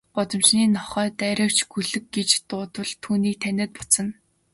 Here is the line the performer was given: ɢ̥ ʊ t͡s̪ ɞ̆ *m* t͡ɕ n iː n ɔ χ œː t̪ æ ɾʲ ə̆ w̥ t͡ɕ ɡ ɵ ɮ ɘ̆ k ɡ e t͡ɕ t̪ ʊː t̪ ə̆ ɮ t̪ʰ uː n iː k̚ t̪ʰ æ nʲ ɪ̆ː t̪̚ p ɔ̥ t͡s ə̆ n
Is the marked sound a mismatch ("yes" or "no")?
no